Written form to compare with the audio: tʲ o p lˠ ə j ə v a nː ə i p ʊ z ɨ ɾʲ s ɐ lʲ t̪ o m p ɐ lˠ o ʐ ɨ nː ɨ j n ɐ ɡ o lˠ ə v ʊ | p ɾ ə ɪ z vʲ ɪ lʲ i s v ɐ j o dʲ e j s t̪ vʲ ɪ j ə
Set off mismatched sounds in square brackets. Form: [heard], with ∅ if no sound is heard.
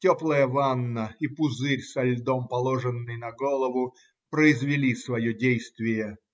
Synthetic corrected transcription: tʲ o p lˠ ə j ə v a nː ə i p ʊ z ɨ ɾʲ s ɐ lʲ [d̪] o m p ɐ lˠ o ʐ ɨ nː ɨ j n ɐ ɡ o lˠ ə v ʊ | p ɾ ə ɪ z vʲ ɪ lʲ i s v ɐ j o dʲ e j s t̪ vʲ ɪ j ə